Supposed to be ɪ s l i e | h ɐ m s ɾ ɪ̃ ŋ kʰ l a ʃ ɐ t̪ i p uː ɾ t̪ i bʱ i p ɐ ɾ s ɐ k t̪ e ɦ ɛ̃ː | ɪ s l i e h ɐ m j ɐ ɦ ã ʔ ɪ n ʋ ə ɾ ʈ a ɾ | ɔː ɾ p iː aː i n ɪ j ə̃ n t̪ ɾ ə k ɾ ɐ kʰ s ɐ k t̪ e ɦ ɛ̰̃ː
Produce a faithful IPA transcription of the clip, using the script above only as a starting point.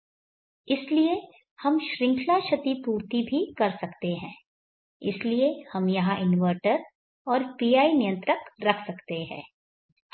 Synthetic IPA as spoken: ɪ s l i e | h ɐ m ʃ ɾ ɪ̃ ŋ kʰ l a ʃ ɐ t̪ i p uː ɾ t̪ i bʱ i k ɐ ɾ s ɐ k t̪ e ɦ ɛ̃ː | ɪ s l i e h ɐ m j ɐ ɦ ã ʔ ɪ n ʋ ə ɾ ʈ ə ɾ | ɔː ɾ p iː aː i n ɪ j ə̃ n t̪ ɾ ə k ɾ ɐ kʰ s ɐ k t̪ e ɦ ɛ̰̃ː

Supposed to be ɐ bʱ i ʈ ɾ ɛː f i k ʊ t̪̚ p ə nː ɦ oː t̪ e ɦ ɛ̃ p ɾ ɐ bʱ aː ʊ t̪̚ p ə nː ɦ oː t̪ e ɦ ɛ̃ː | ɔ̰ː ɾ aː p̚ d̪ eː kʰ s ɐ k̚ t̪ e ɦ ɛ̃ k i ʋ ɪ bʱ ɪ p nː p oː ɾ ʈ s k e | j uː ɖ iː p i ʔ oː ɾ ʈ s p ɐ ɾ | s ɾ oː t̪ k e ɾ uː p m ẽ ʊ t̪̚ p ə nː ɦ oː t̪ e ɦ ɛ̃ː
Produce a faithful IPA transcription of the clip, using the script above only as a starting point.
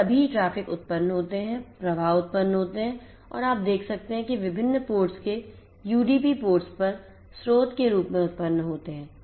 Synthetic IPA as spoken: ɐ bʱ i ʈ ɾ aː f ɪ k ʊ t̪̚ p ə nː ɦ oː t̪ e ɦ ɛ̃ p ɾ ɐ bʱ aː ʊ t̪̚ p ə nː ɦ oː t̪ e ɦ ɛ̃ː | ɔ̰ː ɾ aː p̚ d̪ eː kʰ s ɐ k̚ t̪ e ɦ ɛ̃ k i ʋ ɪ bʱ ɪ nː p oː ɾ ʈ s k e | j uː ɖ iː p i p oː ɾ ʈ s p ɐ ɾ | s ɾ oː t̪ k e ɾ uː p m ẽ ʊ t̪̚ p ə nː ɦ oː t̪ e ɦ ɛ̃ː

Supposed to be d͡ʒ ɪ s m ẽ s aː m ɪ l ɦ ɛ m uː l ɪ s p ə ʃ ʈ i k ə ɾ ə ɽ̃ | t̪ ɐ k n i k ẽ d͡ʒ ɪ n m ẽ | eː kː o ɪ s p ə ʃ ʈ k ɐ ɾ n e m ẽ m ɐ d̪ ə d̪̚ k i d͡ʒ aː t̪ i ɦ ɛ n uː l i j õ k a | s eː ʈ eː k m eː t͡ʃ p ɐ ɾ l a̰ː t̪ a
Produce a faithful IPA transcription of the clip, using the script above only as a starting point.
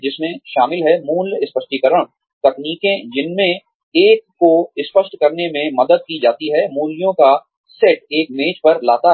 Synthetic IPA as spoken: d͡ʒ ɪ s m ẽ ʃ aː m ɪ l ɦ ɛ m uː l ɪ s p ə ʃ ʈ i k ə ɾ ə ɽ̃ | t̪ ɐ k n iː k ẽ d͡ʒ ɪ n m ẽ | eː kː o ɪ s p ə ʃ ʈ k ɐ ɾ n e m ẽ m ɐ d̪ ə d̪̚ k i d͡ʒ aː t̪ i ɦ ɛ m uː l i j õ k a | s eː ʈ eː k m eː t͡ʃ p ɐ ɾ l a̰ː t̪ a

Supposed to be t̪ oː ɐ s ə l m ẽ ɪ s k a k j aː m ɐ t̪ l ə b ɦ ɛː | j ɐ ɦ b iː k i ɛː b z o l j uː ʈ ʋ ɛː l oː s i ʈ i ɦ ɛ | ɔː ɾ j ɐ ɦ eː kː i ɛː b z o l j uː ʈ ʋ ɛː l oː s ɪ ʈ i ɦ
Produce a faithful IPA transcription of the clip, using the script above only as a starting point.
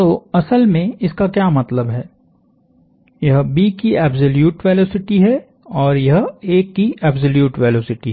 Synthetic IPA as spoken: t̪ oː ɐ s ə l m ẽ ɪ s k a k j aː m ɐ t̪ l ə b ɦ ɛː | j ɐ ɦ b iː k i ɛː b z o l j uː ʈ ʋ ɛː l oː s ɪ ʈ i ɦ ɛ | ɔː ɾ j ɐ ɦ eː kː i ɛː b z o l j uː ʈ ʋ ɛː l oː s ɪ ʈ i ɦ

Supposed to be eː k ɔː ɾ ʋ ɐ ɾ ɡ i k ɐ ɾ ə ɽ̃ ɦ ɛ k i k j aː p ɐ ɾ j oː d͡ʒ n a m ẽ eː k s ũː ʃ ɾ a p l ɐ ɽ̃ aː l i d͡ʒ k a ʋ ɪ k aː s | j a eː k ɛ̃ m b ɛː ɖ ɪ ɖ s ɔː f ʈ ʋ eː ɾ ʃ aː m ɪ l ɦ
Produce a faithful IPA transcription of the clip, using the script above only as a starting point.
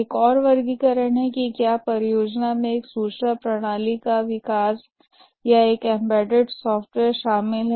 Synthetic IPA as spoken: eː k ɔː ɾ ʋ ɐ ɾ ɡ i k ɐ ɾ ə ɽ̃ ɦ ɛ k i k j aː p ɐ ɾ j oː d͡ʒ n a m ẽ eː k s uː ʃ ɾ a p ɾ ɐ ɽ̃ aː l i k a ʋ ɪ k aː s | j a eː k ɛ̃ m b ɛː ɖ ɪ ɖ s ɔː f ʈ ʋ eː ɾ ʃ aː m ɪ l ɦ

